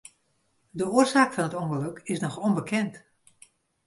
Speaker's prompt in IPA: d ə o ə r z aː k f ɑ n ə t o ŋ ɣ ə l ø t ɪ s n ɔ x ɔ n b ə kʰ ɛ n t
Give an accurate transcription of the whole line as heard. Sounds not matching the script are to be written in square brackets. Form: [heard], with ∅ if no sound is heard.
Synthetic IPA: d ə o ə r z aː k f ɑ n ə t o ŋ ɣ ə l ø [k] ɪ s n ɔ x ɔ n b ə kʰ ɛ n t